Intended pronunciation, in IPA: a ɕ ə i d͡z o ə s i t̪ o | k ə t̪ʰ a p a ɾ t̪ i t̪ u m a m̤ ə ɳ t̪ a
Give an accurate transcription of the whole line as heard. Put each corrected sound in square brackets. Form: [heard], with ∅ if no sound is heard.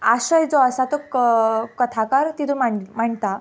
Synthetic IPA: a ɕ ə [j] d͡z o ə s [a] t̪ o | k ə t̪ʰ a [k] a ɾ t̪ i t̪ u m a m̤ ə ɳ t̪ a